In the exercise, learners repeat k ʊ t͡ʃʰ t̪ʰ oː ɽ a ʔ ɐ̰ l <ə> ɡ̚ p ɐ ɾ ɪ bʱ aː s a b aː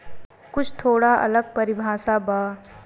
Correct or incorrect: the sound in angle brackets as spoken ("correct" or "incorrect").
correct